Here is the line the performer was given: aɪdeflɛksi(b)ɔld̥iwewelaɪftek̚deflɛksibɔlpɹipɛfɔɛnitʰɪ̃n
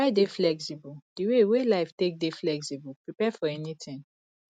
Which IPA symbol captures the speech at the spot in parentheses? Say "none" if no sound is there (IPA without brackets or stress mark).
b